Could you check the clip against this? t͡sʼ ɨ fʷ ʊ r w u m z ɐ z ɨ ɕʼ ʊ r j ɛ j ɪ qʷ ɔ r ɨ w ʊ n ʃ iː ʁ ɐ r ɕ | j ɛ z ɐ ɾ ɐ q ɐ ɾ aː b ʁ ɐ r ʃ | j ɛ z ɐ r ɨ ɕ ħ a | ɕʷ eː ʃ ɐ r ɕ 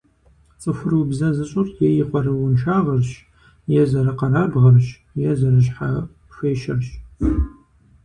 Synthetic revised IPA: t͡sʼ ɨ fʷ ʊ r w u b z ɐ z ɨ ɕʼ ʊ r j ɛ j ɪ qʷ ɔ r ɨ w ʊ n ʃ aː ʁ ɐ r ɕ | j ɛ z ɐ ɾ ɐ q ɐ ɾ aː b ʁ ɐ r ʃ | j ɛ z ɐ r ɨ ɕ ħ a | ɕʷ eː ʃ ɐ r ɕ